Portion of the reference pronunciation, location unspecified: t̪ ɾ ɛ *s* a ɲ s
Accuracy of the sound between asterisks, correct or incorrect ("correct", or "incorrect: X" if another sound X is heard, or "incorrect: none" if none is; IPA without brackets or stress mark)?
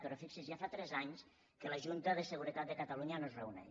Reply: incorrect: z